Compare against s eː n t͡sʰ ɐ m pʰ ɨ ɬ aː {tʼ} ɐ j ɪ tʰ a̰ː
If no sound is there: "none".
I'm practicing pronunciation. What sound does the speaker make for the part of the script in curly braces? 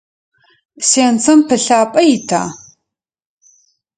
pʼ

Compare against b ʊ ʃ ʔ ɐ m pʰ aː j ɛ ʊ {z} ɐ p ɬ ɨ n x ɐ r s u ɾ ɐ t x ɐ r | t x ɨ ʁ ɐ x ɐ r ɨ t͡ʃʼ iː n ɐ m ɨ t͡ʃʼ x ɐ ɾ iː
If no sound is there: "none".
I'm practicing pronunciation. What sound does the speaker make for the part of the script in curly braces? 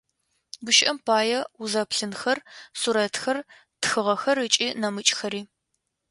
z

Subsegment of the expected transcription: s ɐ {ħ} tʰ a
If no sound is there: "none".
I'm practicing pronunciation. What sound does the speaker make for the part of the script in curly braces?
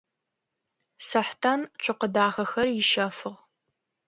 ħ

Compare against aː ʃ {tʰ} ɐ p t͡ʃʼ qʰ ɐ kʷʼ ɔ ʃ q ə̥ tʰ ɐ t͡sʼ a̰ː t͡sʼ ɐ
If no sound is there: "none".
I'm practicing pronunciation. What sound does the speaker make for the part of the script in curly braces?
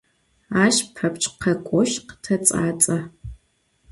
pʰ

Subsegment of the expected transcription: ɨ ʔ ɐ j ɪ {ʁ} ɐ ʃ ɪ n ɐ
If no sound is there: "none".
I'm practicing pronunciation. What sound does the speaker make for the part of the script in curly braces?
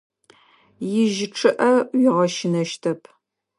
ʁ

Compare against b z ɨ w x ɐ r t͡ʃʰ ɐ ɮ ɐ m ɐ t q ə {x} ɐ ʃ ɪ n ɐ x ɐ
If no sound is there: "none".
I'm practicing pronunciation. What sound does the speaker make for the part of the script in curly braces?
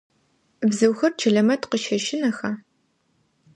ʃ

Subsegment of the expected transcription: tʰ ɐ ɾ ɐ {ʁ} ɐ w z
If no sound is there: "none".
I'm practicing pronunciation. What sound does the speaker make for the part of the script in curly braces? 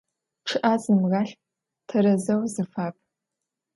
z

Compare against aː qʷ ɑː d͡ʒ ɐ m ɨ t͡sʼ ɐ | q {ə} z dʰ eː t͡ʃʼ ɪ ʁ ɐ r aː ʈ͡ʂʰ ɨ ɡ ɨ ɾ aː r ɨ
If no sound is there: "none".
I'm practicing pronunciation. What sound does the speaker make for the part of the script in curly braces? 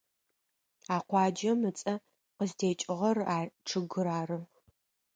ə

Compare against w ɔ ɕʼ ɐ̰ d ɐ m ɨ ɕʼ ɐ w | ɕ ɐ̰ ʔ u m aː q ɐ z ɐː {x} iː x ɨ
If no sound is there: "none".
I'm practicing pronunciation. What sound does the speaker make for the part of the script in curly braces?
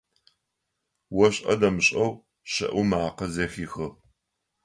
x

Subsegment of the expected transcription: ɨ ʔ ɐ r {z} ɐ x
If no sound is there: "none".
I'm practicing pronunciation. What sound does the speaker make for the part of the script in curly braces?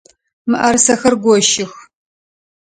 s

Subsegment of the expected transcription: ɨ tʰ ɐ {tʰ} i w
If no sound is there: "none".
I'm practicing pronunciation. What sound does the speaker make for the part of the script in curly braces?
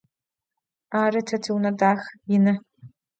tʰ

